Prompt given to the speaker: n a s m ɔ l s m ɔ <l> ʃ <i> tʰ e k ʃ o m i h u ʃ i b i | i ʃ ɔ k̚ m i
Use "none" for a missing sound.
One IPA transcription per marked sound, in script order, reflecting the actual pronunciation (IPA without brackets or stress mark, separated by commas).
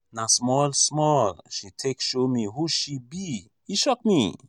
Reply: l, i